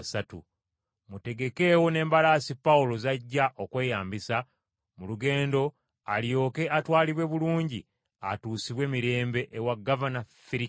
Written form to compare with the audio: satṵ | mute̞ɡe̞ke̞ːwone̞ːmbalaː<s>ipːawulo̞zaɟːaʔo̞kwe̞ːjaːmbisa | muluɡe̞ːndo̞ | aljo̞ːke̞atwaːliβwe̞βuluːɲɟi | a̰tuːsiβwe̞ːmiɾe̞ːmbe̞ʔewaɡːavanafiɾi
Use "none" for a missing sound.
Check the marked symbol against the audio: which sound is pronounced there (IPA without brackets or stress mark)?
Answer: s